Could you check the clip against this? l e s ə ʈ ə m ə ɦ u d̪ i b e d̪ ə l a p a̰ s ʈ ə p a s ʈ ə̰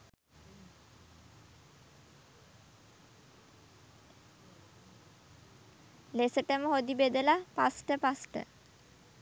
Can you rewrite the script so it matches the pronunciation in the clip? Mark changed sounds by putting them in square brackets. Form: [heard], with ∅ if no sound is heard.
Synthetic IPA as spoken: l e s ə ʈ ə m ə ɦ [o] d̪ i b e d̪ ə l a p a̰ s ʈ ə p a s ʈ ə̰